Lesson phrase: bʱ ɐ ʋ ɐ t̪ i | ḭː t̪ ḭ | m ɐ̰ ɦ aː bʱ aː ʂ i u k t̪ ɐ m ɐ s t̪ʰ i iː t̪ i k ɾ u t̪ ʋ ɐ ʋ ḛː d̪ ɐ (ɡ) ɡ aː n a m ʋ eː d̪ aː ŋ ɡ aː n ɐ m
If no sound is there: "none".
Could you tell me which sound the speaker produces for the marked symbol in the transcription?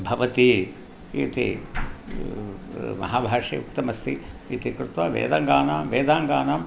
ŋ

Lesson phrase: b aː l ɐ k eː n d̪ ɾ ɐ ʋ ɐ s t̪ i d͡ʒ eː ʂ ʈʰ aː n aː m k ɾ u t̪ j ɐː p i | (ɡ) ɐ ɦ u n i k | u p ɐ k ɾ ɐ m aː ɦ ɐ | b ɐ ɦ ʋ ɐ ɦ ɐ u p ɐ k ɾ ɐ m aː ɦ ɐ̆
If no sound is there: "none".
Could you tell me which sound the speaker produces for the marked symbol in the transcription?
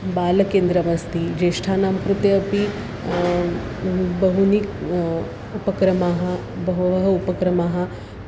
b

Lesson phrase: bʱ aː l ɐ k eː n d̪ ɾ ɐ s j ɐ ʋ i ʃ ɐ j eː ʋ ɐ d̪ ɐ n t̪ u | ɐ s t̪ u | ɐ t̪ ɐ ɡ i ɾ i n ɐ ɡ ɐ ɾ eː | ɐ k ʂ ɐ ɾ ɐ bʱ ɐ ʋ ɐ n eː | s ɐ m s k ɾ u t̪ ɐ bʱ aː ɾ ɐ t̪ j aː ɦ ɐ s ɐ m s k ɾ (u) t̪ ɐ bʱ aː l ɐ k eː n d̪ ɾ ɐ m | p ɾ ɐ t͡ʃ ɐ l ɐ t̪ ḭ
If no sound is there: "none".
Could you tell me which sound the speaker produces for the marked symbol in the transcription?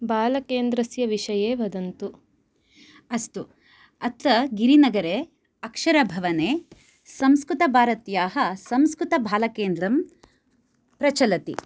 u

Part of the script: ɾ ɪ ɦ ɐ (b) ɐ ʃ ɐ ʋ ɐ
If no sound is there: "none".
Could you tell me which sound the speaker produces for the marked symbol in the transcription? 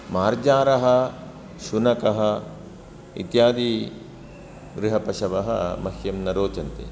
p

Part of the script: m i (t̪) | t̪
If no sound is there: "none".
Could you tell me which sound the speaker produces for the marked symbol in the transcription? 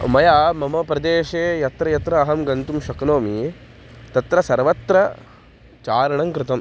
none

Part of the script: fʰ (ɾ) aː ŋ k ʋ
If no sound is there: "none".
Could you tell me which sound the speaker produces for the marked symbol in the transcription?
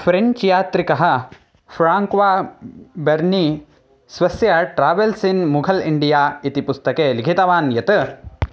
ɾ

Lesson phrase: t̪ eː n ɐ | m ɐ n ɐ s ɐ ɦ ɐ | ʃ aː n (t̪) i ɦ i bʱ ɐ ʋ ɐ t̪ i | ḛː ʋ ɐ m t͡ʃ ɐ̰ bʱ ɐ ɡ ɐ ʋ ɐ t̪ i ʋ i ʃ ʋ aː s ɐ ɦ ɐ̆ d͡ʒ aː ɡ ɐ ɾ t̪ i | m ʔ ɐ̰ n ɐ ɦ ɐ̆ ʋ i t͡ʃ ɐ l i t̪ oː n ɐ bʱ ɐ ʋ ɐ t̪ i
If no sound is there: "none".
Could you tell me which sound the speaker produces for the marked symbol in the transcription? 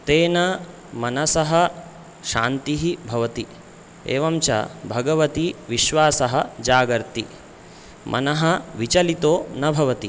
t̪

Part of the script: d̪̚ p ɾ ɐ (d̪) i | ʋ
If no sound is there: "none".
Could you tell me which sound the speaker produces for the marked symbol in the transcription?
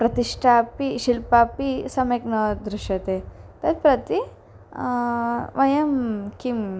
t̪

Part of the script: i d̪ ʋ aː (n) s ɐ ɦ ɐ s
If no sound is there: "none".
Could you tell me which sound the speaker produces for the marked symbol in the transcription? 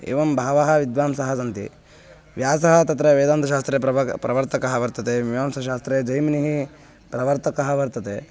m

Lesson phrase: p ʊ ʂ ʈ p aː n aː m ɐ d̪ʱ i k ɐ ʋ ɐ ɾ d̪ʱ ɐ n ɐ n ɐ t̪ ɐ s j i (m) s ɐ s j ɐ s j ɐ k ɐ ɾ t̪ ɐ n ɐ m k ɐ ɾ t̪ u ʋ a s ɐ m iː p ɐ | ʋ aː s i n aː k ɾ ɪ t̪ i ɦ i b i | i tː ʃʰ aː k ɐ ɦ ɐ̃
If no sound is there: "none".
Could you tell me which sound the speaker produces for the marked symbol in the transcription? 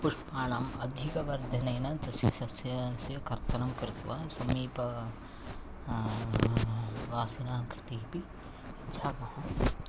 none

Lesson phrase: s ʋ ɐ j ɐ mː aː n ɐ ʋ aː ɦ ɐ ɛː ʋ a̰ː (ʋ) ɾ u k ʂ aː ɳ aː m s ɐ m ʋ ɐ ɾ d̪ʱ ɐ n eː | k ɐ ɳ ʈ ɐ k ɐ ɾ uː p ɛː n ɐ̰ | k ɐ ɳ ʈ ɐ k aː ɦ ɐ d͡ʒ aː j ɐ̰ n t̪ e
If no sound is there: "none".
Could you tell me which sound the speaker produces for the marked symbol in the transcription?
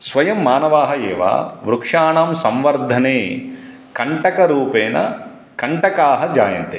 ʋ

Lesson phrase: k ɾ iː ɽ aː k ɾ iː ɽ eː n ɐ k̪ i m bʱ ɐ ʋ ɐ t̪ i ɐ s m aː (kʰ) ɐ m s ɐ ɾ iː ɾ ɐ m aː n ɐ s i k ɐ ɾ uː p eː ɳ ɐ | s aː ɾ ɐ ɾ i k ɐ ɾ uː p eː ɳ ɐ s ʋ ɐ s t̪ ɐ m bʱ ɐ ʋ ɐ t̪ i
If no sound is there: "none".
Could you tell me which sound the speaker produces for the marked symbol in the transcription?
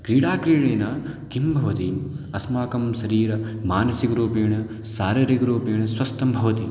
k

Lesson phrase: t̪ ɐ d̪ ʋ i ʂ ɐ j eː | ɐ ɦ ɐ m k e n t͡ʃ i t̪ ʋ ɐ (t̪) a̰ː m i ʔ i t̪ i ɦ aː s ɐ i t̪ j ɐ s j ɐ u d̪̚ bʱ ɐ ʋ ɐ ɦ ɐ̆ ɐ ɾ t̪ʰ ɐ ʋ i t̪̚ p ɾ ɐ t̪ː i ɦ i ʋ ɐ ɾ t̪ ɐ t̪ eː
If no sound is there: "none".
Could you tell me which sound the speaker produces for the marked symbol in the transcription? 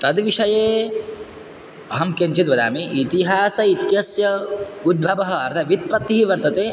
d̪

